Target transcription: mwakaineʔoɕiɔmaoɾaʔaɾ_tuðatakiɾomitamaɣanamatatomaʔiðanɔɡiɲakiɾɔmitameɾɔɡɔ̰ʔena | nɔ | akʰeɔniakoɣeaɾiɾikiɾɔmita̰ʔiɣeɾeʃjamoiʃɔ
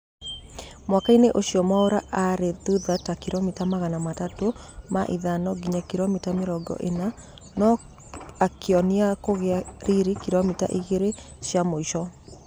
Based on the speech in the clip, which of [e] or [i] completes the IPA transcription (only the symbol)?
e